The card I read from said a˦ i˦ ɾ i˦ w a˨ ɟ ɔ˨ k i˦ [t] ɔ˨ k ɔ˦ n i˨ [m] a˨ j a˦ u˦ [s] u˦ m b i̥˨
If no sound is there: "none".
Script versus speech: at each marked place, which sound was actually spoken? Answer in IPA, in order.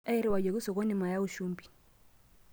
s, m, ʃ

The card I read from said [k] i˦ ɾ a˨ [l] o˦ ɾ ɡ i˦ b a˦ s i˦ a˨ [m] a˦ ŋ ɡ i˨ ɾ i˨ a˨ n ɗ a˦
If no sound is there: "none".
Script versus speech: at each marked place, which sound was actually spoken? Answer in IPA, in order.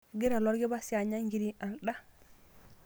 ɡ, l, ɲ

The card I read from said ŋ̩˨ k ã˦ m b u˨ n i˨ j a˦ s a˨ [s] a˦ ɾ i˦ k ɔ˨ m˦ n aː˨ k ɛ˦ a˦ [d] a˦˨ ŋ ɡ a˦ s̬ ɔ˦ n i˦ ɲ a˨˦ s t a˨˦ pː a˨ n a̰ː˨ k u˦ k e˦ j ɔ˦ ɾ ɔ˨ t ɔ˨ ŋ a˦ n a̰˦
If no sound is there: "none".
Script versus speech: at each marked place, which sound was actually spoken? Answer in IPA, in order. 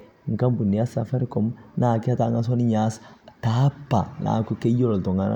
f, t

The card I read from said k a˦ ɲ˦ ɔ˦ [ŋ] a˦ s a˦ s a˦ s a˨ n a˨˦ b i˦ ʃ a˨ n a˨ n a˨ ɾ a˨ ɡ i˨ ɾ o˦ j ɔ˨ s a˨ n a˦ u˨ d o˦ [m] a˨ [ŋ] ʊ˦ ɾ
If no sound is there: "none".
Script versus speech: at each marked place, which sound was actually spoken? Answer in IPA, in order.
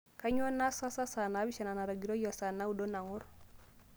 n, n, ŋ

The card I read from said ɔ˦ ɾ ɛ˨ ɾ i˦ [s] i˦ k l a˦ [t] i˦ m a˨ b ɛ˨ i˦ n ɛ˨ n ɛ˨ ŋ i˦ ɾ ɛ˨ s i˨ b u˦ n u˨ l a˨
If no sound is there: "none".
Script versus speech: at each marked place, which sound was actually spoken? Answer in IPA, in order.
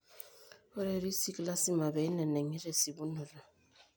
s, s

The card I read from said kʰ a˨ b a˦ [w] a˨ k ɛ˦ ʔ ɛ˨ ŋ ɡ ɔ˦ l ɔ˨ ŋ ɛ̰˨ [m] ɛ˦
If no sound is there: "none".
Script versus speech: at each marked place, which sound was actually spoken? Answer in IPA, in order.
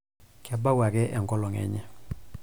w, ɲ

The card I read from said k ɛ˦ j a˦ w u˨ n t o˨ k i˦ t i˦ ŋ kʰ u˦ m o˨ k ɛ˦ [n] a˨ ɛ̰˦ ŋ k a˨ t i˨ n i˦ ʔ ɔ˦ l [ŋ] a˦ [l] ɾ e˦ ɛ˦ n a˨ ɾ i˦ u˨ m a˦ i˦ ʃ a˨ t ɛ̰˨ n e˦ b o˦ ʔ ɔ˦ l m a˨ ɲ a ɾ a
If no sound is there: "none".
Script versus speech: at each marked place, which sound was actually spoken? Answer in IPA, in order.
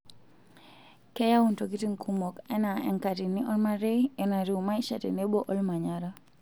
n, m, none

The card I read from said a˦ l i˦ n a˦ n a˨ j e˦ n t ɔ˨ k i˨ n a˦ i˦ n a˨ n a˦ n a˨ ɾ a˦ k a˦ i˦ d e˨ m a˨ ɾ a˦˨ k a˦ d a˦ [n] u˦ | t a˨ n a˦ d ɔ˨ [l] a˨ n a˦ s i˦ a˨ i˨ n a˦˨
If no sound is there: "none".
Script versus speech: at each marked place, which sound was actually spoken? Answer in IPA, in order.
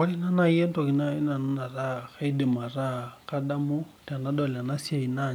m, l

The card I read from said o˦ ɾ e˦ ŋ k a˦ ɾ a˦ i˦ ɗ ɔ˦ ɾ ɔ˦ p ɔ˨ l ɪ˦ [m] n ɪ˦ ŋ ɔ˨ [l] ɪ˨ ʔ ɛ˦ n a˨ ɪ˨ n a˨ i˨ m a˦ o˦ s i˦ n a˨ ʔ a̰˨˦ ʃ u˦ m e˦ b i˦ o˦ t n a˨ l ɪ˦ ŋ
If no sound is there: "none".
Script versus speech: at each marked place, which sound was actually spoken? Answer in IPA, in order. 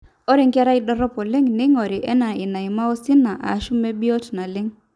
ŋ, ɾ

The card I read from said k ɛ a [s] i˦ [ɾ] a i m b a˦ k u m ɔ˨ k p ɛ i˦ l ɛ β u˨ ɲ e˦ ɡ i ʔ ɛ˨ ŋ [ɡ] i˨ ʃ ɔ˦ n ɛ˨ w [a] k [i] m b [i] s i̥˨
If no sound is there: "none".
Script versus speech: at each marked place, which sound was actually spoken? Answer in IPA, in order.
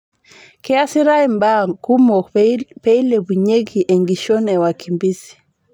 s, ɾ, ɡ, a, i, i

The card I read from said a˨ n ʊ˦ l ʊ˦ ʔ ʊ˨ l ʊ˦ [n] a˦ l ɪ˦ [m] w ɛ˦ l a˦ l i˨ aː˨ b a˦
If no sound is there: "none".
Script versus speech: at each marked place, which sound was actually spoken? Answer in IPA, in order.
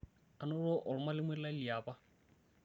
m, m

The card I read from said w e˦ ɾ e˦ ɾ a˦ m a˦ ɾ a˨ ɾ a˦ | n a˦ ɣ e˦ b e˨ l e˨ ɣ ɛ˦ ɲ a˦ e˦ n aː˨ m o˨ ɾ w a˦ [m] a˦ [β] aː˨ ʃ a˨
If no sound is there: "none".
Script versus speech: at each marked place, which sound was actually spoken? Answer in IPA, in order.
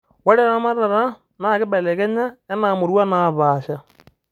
n, β

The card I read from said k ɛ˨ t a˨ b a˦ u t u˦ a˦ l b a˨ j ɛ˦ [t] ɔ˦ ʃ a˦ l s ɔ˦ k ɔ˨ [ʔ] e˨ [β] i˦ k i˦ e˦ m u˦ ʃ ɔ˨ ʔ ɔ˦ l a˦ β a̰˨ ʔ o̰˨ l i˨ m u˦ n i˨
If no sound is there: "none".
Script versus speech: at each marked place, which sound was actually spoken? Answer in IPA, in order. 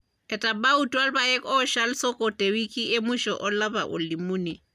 k, t, w

